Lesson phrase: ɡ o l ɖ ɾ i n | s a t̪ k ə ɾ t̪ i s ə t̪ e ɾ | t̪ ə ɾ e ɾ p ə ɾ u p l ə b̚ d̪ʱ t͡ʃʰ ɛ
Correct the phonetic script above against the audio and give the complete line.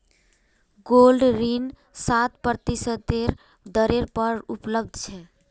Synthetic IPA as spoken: ɡ o l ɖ ɾ i n | s a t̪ p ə ɾ t̪ i s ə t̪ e ɾ | d̪ ə ɾ e ɾ p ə ɾ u p l ə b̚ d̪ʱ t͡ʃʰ ɛ